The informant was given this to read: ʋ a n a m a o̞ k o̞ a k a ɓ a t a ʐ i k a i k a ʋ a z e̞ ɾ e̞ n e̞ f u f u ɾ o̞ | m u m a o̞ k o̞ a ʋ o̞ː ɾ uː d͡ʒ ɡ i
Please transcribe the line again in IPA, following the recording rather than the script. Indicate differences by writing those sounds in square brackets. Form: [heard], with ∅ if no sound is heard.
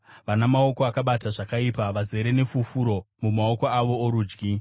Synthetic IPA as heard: ʋ a n a m a o̞ k o̞ a k a ɓ a t a ʐ [a] k a i [p] a ʋ a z e̞ ɾ e̞ n e̞ f u f u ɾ o̞ | m u m a o̞ k o̞ a ʋ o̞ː ɾ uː d͡ʒ ɡ i